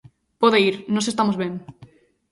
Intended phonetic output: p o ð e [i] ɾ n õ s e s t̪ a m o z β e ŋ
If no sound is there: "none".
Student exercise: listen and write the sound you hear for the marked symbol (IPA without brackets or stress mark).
i